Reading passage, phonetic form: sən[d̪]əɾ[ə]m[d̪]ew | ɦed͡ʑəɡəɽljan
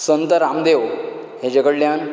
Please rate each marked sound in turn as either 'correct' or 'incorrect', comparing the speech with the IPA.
incorrect: t̪, incorrect: a, correct

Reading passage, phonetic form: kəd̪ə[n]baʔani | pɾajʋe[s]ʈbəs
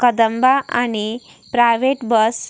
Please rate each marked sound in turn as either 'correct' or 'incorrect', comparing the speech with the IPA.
incorrect: m, incorrect: none

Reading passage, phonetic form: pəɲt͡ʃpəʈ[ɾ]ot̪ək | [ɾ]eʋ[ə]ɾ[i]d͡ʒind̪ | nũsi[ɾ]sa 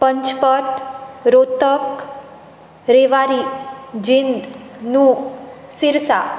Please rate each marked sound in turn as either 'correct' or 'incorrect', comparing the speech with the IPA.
correct, correct, incorrect: a, correct, correct

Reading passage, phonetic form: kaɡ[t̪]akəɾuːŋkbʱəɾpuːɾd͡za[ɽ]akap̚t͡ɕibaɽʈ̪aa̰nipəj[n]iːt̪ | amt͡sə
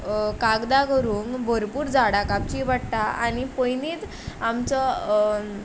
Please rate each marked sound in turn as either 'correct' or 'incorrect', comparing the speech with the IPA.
incorrect: d̪, correct, correct

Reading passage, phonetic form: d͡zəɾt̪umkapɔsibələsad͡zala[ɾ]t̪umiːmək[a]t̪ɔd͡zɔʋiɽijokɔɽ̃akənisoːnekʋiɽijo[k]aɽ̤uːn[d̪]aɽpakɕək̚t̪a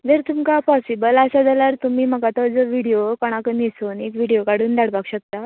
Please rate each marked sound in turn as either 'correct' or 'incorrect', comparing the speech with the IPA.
correct, correct, correct, correct

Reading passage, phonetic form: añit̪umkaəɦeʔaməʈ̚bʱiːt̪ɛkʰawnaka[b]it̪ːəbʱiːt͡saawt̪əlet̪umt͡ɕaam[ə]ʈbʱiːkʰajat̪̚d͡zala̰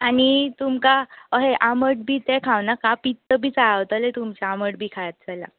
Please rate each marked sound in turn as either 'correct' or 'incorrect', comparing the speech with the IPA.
incorrect: p, correct

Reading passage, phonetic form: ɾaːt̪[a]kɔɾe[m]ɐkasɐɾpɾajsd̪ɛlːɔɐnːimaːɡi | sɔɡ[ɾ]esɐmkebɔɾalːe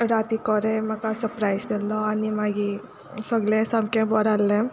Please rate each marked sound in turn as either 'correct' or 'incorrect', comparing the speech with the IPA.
incorrect: i, correct, incorrect: l

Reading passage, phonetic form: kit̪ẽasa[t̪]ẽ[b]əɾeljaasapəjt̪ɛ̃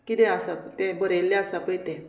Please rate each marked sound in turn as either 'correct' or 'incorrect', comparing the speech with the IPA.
correct, correct

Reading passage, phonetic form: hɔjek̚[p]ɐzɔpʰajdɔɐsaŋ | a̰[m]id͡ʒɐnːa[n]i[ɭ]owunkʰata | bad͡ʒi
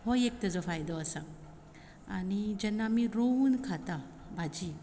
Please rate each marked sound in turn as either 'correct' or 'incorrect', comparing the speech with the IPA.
incorrect: t, incorrect: n, incorrect: m, incorrect: ɾ

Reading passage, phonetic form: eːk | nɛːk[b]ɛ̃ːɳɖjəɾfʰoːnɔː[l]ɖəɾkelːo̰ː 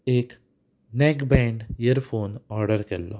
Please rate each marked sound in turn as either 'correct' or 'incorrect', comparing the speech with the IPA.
correct, incorrect: ɾ

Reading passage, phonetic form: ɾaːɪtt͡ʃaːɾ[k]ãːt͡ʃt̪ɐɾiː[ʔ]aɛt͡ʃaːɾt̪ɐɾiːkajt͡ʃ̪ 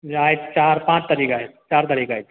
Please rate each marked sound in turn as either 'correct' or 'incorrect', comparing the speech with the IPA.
incorrect: p, incorrect: k

